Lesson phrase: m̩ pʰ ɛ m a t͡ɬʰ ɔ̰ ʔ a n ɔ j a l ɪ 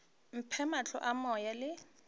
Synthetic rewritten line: m̩ pʰ ɛ m a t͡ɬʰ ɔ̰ ʔ a m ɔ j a l ɪ